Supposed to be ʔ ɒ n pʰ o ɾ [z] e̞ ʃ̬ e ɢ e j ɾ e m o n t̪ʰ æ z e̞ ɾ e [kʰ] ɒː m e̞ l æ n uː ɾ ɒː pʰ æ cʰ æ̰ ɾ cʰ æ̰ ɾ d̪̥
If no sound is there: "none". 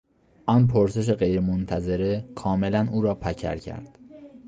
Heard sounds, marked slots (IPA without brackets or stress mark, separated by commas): s, kʰ